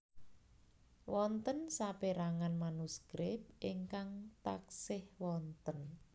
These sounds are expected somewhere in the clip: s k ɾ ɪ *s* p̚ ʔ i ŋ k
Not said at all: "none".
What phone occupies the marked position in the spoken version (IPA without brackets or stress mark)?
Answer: none